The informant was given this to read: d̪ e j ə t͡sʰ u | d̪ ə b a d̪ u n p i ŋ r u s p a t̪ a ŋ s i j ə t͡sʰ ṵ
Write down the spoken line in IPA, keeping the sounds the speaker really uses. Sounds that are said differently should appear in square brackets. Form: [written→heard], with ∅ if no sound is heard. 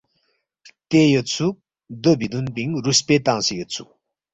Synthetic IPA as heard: [d̪→t̪] e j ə t͡sʰ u | d̪ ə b [a→i] d̪ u n p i ŋ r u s p [a→e] t̪ a ŋ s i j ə t͡sʰ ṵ